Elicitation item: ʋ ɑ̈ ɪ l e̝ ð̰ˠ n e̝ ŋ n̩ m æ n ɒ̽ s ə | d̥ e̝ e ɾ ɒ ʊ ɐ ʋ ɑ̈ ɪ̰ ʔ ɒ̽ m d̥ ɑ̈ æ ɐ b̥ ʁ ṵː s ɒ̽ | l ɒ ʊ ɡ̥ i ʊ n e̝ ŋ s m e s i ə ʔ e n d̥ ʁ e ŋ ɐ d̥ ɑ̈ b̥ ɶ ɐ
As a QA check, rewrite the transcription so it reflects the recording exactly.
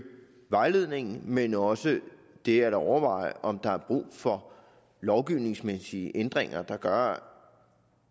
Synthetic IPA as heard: ʋ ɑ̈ ɪ l e̝ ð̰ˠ n e̝ ŋ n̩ m e n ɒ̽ s ə | d̥ e̝ æ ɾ ɒ ʊ ɐ ʋ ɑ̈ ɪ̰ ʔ ɒ̽ m d̥ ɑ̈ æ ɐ b̥ ʁ ṵː f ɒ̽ | l ɒ ʊ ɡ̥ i ʊ n e̝ ŋ s m e s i ə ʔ e n d̥ ʁ e ŋ ɐ d̥ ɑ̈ ɡ̥ ɶ ɐ

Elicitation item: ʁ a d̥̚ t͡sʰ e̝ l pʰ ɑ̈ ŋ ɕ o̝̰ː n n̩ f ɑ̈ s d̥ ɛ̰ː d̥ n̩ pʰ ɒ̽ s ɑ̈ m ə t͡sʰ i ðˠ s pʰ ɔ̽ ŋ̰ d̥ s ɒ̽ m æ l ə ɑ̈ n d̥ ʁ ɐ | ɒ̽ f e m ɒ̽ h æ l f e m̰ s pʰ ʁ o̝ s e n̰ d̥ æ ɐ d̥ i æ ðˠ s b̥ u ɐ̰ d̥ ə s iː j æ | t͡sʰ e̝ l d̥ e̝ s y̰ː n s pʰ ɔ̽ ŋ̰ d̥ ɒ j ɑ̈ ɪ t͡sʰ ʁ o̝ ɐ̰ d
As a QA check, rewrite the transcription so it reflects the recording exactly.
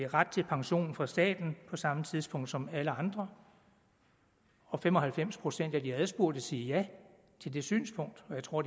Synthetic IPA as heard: ʁ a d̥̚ t͡sʰ e̝ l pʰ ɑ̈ ŋ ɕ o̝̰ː n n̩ f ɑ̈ s d̥ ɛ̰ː d̥ n̩ pʰ ɒ̽ s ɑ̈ m ə t͡sʰ i ðˠ s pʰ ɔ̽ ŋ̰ d̥ s ɒ̽ m æ l ə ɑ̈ n d̥ ʁ ɐ | ɒ̽ f e m ɒ̽ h æ l f e m̰ s pʰ ʁ o̝ s e n̰ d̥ æ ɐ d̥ i æ ðˠ s b̥ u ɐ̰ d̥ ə s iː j æ | t͡sʰ e̝ l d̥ e̝ s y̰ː n s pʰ ɔ̽ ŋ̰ d̥ ɒ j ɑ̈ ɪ t͡sʰ ʁ o̝ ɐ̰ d

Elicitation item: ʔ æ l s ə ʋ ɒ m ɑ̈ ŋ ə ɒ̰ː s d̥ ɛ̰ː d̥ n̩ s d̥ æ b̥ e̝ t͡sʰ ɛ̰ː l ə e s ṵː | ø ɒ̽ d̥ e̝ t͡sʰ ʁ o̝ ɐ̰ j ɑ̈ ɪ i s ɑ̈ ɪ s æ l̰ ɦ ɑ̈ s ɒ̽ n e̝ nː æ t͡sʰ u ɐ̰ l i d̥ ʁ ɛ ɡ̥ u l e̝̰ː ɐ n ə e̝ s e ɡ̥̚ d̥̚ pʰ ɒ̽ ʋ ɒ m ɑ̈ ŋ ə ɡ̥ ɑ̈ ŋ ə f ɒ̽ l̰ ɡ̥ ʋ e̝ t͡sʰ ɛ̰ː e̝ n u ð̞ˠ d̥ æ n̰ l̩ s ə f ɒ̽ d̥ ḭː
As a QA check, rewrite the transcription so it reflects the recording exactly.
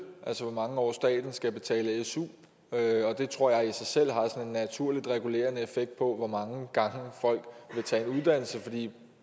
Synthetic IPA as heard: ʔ æ l s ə ʋ ɒ m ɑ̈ ŋ ə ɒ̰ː s d̥ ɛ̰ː d̥ n̩ s ɡ̥ æ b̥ e̝ t͡sʰ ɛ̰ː l ə e s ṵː | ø ɒ̽ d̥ e̝ t͡sʰ ʁ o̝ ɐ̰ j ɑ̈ ɪ i s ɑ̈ ɪ s e l̰ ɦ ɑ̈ s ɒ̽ n e̝ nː æ t͡sʰ u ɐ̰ l i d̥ ʁ ɛ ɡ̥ u l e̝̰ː ɐ n ə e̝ f e ɡ̥̚ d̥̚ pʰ ɒ̽ ʋ ɒ m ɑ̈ ŋ ə ɡ̥ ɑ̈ ŋ ə f ɒ̽ l̰ ɡ̥ ʋ e̝ t͡sʰ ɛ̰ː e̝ n u ð̞ˠ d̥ æ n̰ l̩ s ə f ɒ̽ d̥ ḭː

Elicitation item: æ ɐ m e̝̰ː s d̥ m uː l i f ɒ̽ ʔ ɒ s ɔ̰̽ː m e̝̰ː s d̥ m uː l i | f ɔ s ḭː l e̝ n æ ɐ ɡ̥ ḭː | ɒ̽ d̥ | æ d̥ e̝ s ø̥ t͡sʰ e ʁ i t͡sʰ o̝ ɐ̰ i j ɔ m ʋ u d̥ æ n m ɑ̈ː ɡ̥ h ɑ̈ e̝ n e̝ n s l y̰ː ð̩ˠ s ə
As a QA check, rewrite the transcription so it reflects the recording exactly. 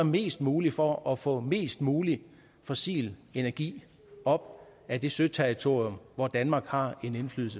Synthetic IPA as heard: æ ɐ m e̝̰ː s d̥ m uː l i f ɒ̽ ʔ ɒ f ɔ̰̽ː m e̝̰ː s d̥ m uː l i | f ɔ s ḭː l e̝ n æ ɐ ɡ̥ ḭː | ɒ̽ b̥ | æ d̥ e̝ s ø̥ t͡sʰ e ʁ i t͡sʰ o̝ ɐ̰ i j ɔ m ʋ ɒ d̥ æ n m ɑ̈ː ɡ̥ h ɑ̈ e̝ n e̝ n f l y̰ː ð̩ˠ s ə

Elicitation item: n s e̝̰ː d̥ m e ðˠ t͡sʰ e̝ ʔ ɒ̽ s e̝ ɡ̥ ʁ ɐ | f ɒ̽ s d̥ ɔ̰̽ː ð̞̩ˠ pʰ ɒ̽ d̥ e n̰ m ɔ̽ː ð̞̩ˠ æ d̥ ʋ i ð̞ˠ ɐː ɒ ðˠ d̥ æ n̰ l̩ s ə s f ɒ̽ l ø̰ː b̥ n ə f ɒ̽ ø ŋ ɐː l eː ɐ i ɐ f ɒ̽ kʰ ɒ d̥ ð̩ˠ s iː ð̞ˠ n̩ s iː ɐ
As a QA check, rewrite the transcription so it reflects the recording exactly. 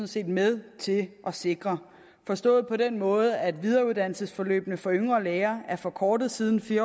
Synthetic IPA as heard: n s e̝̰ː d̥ m e ðˠ t͡sʰ e̝ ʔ ɒ̽ s e̝ ɡ̥ ʁ ɐ | f ɒ̽ s d̥ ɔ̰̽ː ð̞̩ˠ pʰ ɒ̽ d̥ e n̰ m ɔ̽ː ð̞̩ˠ æ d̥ ʋ i ð̞ˠ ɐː u ðˠ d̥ æ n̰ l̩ s ə s f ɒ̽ l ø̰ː b̥ n ə f ɒ̽ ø ŋ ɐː l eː ɐ æ ɐ f ɒ̽ kʰ ɒː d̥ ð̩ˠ s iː ð̞ˠ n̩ f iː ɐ

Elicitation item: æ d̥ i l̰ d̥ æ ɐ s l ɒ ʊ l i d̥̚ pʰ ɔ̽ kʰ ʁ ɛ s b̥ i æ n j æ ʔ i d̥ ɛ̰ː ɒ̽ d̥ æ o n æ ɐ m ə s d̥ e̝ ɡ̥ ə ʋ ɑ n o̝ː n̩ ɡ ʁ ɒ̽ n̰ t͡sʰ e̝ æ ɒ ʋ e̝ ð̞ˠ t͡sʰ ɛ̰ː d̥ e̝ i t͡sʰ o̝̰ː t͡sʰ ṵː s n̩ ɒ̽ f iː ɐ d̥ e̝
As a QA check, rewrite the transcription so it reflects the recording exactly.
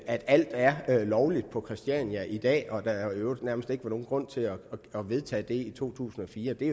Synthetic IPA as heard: æ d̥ æ l̰ d̥ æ ɐ l ɒ ʊ l i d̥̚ pʰ ɒ̽ kʰ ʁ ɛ s d̥ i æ n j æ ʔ i d̥ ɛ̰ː ɒ̽ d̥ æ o n æ ɐ m ə s d̥ e̝ ɡ̥ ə ʋ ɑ n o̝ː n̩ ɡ ʁ ɔ̽ n̰ t͡sʰ e̝ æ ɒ ʋ e̝ ð̞ˠ t͡sʰ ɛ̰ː d̥ e̝ i t͡sʰ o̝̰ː t͡sʰ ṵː s n̩ ɒ̽ f iː ɐ d̥ e̝

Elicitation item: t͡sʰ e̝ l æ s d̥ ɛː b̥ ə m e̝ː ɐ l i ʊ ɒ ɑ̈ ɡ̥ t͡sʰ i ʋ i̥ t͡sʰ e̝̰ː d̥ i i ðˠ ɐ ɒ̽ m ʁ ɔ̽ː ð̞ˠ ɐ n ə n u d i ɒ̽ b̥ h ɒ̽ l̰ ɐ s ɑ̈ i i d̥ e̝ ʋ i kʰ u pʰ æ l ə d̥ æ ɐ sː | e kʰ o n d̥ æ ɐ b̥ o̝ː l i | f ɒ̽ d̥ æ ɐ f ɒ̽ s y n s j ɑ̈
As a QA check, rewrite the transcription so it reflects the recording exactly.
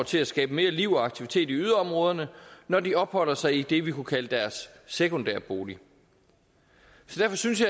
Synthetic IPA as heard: t͡sʰ e̝ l æ s ɡ̥ ɛː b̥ ə m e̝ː ɐ l i ʊ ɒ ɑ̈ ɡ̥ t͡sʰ i ʋ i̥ t͡sʰ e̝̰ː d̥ i y ðˠ ɐ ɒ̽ m ʁ ɔ̽ː ð̞ˠ ɐ n ə n ɒ d i ɒ̽ b̥ h ɒ̽ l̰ ɐ s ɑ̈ ɪ i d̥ e̝ ʋ i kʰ u kʰ æ l ə d̥ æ ɐ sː | e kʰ o n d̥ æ ɐ b̥ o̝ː l i | s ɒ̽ d̥ æ ɐ f ɒ̽ s y n s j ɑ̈

